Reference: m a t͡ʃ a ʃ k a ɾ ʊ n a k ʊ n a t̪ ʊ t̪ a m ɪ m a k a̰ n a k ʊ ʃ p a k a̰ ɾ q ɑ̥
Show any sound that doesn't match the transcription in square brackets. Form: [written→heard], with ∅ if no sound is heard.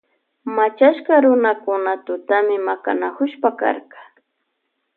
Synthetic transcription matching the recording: m a t͡ʃ a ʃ k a ɾ ʊ n a k ʊ n a t̪ ʊ t̪ a m ɪ m a k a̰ n a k ʊ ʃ p a k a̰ ɾ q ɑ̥